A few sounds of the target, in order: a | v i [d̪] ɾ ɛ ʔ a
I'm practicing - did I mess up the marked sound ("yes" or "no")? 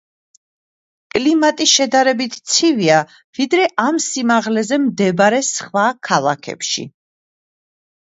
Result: no